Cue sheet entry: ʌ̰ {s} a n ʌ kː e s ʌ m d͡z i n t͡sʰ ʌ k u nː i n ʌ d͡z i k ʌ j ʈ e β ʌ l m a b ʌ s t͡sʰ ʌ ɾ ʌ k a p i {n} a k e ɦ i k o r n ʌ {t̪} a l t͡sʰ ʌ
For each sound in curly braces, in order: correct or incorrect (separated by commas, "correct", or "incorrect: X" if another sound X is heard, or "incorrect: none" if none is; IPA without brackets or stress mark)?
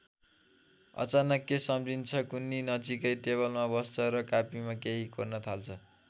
incorrect: t͡s, incorrect: m, incorrect: t̪ʰ